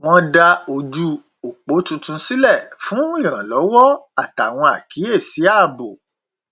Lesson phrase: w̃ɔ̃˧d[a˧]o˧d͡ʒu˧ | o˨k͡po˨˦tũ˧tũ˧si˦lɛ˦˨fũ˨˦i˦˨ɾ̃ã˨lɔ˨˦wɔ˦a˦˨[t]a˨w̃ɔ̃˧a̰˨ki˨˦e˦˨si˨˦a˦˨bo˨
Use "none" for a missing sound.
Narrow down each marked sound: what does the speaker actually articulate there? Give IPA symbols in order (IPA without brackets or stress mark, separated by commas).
a˧, t